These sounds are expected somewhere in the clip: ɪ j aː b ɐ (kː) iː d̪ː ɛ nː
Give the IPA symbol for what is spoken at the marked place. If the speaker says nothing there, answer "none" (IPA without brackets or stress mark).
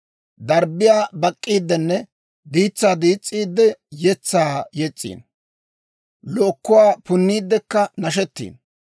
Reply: kʼː